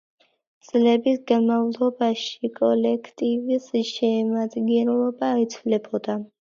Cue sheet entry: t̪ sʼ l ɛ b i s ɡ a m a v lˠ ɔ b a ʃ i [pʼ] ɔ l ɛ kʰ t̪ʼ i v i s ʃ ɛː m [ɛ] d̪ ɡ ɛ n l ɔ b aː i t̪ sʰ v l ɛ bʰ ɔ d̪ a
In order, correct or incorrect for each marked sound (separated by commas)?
incorrect, incorrect